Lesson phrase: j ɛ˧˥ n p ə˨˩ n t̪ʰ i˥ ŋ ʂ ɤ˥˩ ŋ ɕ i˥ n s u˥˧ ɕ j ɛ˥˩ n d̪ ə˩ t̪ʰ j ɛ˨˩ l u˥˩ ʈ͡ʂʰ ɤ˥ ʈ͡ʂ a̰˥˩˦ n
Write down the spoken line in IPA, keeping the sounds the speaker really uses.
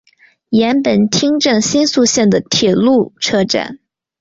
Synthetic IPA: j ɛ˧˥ n p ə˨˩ n t̪ʰ i˥ ŋ ʈ͡ʂ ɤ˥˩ ŋ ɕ i˥ n s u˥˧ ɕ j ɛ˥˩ n d̪ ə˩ t̪ʰ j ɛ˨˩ l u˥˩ ʈ͡ʂʰ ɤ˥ ʈ͡ʂ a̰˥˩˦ n